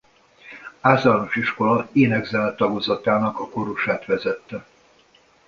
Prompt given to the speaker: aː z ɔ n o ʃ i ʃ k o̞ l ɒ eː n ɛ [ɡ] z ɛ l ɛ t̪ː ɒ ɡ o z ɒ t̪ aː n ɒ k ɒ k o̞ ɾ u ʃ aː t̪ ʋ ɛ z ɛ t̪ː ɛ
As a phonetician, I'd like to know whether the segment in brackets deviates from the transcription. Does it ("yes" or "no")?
no